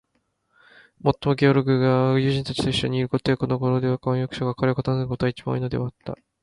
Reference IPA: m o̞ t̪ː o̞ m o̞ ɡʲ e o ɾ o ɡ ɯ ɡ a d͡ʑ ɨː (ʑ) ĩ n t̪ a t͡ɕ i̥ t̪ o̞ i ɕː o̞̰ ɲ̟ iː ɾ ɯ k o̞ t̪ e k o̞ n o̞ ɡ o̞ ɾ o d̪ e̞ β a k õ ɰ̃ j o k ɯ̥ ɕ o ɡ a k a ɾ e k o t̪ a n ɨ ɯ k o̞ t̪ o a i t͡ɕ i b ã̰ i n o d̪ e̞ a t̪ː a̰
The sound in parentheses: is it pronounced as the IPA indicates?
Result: yes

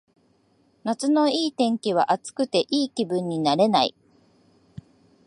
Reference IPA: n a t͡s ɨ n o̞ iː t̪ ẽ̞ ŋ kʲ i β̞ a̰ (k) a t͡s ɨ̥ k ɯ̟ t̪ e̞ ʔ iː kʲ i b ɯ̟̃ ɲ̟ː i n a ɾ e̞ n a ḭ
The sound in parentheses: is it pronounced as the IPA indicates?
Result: no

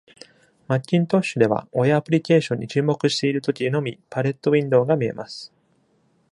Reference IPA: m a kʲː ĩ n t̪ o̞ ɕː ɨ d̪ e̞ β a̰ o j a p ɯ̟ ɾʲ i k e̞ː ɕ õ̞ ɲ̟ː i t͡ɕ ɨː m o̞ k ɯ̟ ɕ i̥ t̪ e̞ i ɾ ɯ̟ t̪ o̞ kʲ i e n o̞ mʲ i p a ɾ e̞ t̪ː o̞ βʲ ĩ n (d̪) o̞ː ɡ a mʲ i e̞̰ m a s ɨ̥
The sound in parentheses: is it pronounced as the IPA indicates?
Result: yes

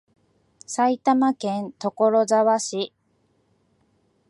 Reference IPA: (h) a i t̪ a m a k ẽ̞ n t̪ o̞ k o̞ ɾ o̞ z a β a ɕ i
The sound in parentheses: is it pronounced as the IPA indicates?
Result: no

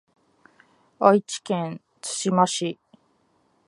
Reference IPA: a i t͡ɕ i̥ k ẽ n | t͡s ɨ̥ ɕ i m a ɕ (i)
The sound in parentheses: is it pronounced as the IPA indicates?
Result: yes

